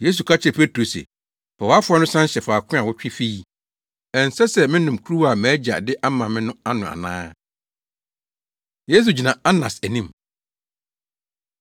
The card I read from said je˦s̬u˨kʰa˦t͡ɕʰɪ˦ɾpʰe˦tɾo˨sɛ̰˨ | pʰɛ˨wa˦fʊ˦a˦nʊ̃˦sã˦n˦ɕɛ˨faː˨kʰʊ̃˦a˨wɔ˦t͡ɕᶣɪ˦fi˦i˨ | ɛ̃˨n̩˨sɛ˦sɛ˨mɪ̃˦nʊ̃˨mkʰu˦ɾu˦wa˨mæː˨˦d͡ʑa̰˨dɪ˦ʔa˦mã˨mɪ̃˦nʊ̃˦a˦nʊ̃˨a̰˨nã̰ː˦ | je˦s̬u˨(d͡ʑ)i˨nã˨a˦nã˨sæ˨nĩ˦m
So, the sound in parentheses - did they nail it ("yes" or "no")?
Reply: yes